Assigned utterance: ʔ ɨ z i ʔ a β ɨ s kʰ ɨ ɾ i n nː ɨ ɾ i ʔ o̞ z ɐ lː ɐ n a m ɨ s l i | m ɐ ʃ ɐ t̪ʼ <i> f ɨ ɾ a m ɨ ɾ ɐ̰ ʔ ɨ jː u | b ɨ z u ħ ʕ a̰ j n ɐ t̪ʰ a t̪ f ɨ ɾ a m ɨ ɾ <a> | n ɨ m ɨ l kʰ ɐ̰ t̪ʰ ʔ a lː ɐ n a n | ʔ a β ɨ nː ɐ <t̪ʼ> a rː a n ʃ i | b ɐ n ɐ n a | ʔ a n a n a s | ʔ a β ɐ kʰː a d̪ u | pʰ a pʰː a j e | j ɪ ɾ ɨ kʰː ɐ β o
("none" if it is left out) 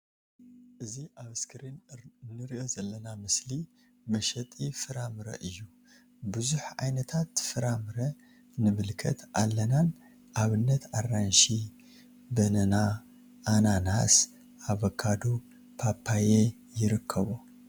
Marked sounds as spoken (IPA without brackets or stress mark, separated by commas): i, ɐ, t̪